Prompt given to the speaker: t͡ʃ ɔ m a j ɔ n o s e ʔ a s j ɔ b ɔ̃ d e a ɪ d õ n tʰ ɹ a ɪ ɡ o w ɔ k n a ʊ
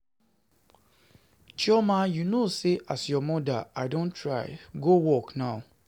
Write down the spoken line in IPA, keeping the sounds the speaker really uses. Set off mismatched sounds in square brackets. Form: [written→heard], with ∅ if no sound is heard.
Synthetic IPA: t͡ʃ ɔ m a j [ɔ→u] n o s e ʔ a s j ɔ [b→m] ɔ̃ d [e→a] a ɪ d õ n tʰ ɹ a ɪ ɡ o w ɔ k n a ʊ